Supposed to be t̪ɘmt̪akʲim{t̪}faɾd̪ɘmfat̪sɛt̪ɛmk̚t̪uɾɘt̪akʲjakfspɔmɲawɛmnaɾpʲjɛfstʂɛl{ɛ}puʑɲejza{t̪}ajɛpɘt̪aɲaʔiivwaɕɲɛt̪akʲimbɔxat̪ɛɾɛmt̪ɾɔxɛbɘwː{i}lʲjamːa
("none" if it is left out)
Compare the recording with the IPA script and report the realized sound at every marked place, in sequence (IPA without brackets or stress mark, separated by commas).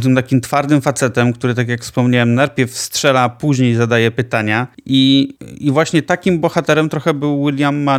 t̪, a, d̪, i